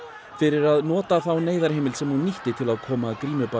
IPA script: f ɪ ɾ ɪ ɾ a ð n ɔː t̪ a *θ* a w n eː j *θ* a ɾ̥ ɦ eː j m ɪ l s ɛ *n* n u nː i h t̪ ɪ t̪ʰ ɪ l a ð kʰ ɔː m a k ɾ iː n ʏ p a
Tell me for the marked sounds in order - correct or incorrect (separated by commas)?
correct, incorrect, incorrect